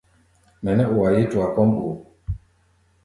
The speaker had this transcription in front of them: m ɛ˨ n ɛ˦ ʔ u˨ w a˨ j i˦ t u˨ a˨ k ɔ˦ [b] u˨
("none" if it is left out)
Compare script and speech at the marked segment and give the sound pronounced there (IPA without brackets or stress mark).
m